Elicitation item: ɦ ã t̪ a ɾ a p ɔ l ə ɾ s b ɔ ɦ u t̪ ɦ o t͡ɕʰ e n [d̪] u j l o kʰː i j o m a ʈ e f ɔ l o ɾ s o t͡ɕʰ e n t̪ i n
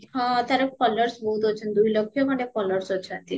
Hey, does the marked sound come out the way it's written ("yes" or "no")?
yes